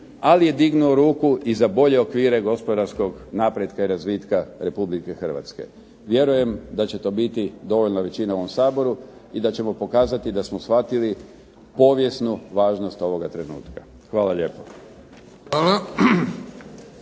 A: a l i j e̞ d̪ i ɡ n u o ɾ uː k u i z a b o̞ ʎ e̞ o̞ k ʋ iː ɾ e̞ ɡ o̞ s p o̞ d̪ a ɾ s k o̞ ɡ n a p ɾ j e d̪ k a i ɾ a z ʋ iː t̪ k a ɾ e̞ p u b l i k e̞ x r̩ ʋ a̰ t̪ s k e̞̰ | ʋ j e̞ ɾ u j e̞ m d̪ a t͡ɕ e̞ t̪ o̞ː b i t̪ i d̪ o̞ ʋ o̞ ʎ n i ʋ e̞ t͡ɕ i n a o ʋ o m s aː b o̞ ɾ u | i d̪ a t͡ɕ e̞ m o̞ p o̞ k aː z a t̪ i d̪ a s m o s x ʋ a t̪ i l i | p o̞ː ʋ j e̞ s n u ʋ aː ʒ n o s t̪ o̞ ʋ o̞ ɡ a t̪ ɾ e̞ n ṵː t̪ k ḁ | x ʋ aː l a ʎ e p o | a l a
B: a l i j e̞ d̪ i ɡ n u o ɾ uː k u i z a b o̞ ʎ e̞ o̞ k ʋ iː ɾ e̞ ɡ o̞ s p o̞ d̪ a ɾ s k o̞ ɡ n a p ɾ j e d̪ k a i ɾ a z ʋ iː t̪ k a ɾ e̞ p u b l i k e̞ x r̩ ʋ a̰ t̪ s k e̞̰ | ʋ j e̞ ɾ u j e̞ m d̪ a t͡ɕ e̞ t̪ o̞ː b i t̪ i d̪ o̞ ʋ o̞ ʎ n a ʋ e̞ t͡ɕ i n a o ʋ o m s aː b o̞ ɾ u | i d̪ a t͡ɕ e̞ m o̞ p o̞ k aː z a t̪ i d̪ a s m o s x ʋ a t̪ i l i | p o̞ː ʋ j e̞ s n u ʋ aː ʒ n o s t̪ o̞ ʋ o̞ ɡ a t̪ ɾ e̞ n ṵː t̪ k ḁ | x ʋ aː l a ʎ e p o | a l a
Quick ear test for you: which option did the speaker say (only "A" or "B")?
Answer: B